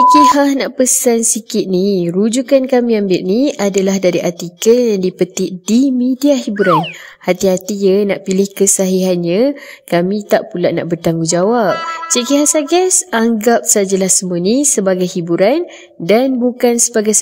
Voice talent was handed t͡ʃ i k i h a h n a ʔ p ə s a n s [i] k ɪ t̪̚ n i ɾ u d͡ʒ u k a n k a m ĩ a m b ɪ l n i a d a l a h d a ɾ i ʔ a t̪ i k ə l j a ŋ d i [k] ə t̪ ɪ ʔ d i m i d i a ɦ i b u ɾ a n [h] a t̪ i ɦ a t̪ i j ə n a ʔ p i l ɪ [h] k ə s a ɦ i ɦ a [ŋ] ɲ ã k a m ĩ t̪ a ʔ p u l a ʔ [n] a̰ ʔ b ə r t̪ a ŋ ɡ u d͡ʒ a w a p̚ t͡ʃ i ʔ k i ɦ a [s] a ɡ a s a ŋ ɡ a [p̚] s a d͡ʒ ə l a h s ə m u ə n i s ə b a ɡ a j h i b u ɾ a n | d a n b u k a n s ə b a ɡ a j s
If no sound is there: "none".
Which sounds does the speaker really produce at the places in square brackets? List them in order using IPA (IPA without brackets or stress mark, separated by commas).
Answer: i, p, h, h, n, n, s, p̚